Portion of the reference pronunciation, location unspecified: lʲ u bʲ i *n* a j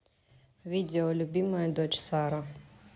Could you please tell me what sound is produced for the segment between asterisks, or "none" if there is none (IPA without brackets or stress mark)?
m